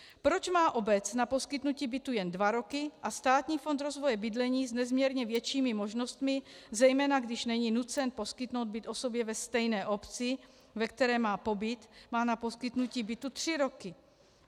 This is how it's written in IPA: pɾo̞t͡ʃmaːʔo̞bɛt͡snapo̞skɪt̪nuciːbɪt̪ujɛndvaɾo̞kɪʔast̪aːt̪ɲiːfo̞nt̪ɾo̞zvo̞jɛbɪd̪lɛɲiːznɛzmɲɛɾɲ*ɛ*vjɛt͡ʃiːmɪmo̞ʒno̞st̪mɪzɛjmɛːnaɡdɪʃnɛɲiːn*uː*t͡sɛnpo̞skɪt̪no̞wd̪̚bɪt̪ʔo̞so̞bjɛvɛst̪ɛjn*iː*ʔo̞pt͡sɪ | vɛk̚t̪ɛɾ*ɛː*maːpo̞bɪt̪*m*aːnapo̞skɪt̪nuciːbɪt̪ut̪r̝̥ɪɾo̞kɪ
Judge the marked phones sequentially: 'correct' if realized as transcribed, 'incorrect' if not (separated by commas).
correct, incorrect, incorrect, correct, correct